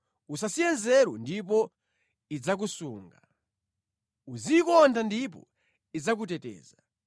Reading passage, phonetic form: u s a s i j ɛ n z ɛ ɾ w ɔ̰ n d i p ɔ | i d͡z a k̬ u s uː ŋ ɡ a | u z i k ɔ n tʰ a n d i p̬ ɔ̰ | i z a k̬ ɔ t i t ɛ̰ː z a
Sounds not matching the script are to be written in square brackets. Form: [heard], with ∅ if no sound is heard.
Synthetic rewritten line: u s a s i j ɛ n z ɛ ɾ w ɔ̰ n d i p ɔ | i d͡z a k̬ u s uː ŋ ɡ a | u z i k ɔ n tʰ a n d i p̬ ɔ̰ | i [d͡z] a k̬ [u] t [ɛ] t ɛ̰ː z a